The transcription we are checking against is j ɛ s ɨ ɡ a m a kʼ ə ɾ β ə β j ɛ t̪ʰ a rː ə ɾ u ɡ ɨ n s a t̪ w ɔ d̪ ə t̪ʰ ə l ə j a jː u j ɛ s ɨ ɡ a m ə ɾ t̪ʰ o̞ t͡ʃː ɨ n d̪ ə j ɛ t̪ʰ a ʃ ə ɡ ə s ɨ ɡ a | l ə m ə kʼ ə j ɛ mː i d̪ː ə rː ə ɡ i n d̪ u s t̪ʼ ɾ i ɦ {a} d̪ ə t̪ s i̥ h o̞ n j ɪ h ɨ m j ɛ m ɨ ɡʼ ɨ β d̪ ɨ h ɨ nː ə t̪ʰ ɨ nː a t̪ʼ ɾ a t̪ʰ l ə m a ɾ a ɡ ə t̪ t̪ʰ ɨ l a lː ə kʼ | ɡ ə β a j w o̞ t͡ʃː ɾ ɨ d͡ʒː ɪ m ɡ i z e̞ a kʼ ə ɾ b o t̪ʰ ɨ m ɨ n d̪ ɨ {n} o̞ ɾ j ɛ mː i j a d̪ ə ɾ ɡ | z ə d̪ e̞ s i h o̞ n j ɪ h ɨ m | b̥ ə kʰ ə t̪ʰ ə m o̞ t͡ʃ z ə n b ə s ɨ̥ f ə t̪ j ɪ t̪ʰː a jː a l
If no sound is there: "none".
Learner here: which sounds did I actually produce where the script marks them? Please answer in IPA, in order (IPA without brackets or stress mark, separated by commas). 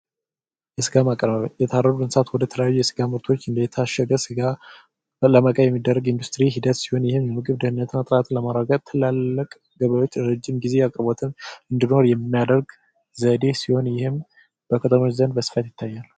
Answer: i, n